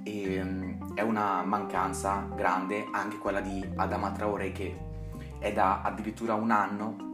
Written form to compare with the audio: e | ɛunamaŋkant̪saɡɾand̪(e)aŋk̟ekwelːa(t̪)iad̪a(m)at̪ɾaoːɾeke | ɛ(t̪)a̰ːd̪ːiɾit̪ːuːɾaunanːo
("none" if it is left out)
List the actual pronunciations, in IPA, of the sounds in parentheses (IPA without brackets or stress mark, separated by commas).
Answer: e, d̪, m, d̪